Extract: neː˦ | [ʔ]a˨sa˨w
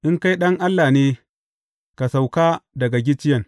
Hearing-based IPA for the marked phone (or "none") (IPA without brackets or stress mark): k